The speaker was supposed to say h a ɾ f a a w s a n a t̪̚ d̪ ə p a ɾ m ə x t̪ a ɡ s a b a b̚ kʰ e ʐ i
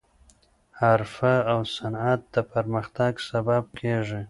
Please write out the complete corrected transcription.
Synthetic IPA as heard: h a ɾ f a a w s a n a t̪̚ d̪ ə p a ɾ m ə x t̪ a ɡ s a b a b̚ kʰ e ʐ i